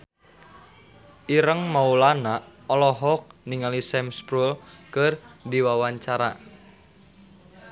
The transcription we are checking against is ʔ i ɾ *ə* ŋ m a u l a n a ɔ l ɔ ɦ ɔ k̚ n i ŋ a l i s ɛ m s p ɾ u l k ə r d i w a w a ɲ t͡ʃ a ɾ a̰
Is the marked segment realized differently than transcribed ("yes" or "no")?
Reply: no